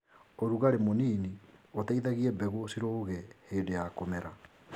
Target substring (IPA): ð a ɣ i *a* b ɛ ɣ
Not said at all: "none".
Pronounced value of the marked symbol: ɛ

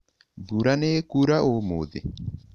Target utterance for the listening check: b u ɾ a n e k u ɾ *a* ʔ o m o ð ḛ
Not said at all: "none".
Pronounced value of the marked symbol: a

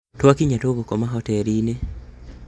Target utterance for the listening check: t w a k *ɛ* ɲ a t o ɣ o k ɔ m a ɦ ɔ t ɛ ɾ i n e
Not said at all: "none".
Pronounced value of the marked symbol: i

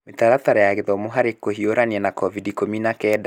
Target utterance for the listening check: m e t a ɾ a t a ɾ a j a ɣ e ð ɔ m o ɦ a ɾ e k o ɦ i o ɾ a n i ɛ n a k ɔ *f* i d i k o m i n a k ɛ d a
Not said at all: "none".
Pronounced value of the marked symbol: v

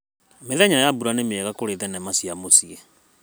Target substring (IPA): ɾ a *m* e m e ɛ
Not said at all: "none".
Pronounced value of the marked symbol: n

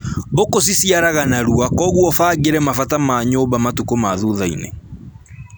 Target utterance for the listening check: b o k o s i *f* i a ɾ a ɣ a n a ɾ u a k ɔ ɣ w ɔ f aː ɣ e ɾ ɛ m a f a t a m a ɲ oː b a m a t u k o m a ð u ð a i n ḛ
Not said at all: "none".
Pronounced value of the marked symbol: s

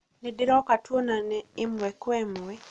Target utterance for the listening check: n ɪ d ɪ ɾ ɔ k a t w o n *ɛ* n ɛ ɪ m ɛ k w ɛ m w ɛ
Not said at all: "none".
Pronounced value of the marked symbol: a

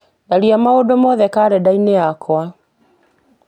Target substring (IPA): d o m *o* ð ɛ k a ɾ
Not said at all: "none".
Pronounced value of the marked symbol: ɔ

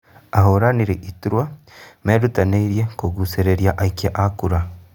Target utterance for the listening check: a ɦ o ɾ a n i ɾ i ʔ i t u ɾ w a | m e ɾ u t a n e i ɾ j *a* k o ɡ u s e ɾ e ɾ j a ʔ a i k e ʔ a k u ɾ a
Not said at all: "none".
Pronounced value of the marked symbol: e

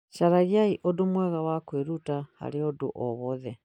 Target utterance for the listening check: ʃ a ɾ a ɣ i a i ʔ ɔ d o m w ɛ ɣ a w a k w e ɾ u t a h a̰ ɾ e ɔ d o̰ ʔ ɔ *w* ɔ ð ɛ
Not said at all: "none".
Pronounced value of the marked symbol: β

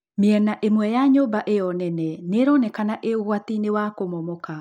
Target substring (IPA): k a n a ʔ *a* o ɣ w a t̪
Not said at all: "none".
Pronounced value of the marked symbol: e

